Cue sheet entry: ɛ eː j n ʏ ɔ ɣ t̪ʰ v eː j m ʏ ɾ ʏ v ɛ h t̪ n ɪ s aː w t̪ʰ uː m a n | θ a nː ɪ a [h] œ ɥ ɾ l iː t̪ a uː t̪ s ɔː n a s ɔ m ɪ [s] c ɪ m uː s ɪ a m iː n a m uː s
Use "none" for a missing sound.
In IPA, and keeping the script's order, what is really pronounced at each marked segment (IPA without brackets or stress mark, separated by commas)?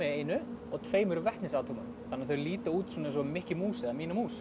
θ, h